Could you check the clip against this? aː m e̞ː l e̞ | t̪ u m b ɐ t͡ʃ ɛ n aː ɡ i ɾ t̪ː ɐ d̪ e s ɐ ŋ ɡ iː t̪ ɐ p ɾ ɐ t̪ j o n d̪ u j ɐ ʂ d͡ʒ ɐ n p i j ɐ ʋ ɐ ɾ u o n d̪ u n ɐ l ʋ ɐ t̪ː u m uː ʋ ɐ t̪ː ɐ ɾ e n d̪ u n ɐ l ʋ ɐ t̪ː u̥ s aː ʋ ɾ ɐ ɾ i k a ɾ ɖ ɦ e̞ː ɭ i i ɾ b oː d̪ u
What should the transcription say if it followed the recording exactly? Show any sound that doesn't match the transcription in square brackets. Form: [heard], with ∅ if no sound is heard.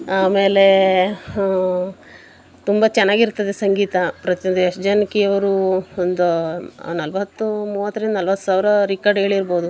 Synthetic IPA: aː m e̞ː l e̞ | t̪ u m b ɐ t͡ʃ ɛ [nː] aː ɡ i ɾ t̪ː ɐ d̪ e s ɐ ŋ ɡ iː t̪ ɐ p ɾ ɐ t̪ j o n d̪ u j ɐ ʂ d͡ʒ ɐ n [k] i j ɐ ʋ ɐ ɾ u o n d̪ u n ɐ l ʋ ɐ t̪ː u m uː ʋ ɐ t̪ː ɐ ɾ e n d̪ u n ɐ l ʋ ɐ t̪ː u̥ s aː ʋ ɾ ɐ ɾ i k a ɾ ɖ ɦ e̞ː ɭ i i ɾ b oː d̪ u